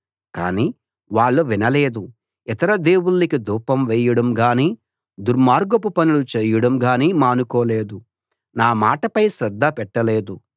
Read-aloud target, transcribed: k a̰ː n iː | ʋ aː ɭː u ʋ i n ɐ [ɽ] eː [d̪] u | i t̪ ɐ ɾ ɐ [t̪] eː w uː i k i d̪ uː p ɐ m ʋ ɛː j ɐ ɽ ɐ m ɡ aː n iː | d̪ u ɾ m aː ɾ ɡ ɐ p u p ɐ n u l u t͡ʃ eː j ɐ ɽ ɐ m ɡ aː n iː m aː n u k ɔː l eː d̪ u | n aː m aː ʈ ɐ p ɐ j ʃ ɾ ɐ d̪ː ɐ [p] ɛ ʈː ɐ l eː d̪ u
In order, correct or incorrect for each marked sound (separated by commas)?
incorrect, correct, incorrect, correct